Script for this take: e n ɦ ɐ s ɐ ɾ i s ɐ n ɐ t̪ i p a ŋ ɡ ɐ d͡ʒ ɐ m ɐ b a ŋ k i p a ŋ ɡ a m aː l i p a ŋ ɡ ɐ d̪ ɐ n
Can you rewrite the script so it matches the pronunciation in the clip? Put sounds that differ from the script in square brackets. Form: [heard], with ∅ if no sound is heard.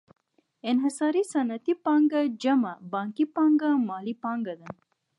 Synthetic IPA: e n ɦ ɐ s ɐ ɾ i s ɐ n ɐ t̪ i p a ŋ ɡ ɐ d͡ʒ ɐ m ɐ b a ŋ k i p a ŋ ɡ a m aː l i p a ŋ ɡ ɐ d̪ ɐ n